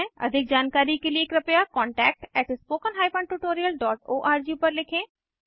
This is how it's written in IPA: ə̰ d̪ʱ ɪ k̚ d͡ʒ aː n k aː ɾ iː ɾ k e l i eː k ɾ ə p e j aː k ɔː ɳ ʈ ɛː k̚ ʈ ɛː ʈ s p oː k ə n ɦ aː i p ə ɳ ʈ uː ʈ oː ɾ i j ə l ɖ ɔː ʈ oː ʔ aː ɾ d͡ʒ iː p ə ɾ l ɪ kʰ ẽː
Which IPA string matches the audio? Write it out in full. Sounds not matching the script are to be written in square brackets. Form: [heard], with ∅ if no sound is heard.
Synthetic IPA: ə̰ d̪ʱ ɪ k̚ d͡ʒ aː n k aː ɾ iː [∅] k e l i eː k ɾ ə p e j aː k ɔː ɳ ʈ ɛː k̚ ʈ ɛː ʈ s p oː k ə n ɦ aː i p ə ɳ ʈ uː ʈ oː ɾ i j ə l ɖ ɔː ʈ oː ʔ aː ɾ d͡ʒ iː p ə ɾ l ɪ kʰ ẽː